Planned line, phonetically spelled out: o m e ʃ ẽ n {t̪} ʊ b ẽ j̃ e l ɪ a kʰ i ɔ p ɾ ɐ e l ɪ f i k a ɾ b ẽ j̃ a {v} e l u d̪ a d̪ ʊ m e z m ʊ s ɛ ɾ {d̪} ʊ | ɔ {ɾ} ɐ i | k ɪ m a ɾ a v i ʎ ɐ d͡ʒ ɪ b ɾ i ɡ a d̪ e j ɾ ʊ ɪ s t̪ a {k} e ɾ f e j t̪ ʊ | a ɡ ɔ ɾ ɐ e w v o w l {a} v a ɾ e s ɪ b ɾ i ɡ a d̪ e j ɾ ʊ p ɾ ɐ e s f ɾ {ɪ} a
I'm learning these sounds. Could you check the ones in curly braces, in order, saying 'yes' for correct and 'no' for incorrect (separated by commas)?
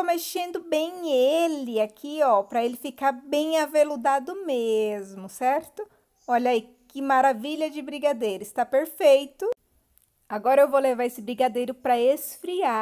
no, yes, no, no, no, no, no